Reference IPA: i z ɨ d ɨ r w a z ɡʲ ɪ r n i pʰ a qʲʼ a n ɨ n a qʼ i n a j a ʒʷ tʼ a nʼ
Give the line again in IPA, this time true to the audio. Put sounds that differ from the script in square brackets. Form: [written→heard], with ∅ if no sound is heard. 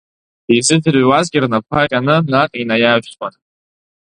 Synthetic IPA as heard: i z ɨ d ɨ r w a z ɡʲ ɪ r n [i→a] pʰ a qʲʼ a n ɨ n a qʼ i n a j a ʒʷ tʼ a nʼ